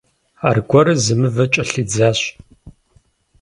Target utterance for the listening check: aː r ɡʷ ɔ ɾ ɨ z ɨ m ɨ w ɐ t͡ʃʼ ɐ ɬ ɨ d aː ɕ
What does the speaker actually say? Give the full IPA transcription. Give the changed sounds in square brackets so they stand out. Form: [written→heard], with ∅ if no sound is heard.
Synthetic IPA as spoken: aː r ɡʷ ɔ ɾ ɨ z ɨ m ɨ [w→v] ɐ t͡ʃʼ ɐ ɬ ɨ [d→d͡z] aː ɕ